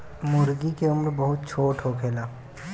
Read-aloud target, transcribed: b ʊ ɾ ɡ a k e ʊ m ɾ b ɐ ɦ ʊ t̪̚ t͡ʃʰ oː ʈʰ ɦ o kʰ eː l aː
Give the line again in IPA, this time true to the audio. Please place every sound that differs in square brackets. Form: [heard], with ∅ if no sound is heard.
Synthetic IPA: [m] ʊ ɾ ɡ [i] k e ʊ m ɾ b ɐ ɦ ʊ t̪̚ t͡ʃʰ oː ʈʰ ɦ o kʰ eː l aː